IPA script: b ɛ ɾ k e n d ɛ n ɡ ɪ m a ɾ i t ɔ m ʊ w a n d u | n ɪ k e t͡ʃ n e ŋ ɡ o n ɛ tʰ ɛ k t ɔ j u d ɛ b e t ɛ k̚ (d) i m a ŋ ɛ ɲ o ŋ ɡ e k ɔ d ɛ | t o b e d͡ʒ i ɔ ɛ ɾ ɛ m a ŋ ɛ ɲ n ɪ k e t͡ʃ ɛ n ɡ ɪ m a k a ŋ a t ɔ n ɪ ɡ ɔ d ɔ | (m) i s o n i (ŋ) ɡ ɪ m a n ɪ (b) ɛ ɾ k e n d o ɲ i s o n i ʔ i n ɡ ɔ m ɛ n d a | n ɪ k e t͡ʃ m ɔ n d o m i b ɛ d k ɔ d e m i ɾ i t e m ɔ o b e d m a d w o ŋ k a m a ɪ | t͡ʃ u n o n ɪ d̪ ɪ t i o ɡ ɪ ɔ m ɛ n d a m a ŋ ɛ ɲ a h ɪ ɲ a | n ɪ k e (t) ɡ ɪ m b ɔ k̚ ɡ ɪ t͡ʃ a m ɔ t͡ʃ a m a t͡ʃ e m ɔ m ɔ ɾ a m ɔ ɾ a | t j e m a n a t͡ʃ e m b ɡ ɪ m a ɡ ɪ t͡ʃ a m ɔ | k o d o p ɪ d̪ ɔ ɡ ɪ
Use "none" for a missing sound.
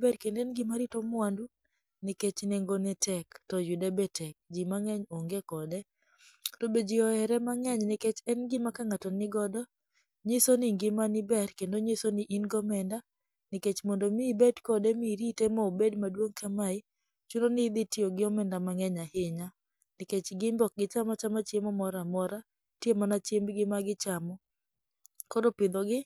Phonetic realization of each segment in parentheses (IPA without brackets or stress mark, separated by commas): d͡ʒ, ɲ, ŋ, b, t͡ʃ